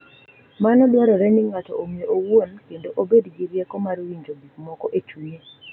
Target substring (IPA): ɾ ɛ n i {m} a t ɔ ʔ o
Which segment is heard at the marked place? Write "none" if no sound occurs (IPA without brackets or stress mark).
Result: ŋ